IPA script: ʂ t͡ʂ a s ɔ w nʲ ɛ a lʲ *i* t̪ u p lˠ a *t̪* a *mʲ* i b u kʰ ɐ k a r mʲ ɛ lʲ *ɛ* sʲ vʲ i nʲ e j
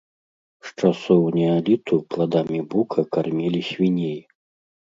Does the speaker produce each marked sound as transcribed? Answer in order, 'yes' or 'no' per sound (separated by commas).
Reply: yes, no, yes, no